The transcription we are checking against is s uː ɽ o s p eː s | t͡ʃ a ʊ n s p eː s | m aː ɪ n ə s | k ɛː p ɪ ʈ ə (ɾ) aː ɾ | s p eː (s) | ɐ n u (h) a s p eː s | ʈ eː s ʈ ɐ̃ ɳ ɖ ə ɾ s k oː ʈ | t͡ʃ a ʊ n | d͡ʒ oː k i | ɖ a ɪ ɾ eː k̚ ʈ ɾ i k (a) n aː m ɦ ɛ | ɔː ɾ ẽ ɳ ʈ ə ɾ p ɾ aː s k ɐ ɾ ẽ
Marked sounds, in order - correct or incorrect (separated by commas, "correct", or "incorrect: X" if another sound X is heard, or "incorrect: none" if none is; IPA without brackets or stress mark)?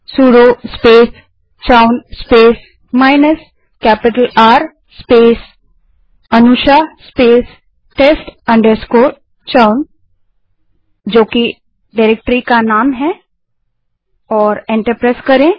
incorrect: l, correct, incorrect: ʃ, correct